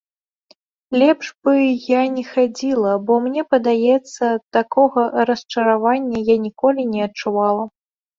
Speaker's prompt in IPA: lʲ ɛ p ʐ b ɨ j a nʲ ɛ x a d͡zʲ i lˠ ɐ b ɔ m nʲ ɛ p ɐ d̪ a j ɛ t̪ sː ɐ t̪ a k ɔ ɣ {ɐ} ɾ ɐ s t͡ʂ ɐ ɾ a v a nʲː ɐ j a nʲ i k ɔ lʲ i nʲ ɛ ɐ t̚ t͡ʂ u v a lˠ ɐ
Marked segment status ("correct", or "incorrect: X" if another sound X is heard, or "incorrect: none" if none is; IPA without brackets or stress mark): correct